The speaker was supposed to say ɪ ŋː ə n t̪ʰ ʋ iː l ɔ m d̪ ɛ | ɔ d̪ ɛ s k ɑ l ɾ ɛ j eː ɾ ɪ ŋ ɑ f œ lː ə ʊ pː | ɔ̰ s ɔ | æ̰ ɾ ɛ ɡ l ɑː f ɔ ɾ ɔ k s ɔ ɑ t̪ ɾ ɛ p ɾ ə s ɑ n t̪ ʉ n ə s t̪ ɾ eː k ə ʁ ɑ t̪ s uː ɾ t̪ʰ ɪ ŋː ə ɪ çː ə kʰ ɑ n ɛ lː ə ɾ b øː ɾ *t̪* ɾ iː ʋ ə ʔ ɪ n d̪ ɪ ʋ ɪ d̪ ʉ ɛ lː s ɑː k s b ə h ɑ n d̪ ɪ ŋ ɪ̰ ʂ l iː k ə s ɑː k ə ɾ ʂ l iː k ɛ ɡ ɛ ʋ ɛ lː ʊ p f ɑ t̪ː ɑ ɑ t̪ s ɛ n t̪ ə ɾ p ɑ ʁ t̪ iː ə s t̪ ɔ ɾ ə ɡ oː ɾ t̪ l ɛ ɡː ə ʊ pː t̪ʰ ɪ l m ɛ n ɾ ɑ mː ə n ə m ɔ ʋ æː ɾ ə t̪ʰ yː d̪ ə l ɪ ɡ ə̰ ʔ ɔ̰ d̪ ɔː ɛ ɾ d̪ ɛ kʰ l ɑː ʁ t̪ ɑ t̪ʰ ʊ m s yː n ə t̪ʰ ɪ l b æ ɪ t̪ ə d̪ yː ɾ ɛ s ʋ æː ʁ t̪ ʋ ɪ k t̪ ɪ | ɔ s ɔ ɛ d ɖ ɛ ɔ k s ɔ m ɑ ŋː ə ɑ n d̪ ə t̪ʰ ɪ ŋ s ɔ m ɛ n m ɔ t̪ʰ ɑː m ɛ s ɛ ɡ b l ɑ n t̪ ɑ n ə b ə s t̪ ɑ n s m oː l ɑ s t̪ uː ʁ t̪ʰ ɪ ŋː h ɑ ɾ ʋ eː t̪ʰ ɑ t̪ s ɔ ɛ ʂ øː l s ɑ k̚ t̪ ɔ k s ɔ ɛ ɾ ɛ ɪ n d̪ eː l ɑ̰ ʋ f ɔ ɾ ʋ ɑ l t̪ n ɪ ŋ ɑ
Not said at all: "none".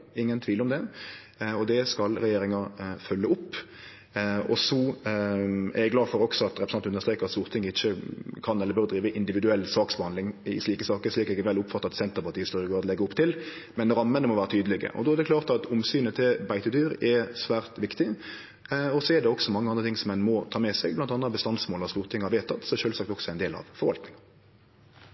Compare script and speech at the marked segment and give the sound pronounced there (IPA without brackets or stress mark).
d̪